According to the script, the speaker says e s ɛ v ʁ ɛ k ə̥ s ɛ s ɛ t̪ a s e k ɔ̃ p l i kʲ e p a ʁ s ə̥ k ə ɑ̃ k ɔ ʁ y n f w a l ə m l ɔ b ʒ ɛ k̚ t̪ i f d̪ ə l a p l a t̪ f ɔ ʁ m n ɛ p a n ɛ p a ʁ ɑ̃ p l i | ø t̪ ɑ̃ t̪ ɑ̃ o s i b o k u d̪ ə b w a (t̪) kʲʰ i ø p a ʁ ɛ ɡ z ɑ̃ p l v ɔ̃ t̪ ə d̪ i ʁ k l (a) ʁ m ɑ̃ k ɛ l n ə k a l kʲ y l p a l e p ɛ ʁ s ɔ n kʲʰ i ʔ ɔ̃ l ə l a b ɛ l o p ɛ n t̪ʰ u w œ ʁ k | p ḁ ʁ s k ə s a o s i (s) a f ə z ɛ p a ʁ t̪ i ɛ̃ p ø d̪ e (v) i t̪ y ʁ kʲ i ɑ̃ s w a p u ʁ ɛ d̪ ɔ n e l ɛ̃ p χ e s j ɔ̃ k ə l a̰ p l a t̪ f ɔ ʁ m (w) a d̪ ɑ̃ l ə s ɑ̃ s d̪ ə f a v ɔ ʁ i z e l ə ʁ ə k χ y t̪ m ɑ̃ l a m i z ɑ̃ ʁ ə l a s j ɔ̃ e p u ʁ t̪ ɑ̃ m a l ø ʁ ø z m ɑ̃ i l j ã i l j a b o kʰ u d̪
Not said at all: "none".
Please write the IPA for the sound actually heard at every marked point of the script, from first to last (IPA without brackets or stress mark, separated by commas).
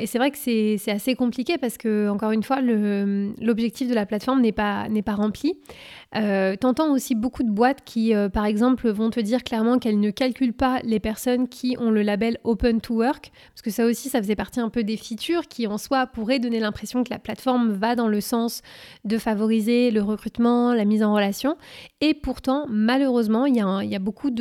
t̪, ɛ, s, f, v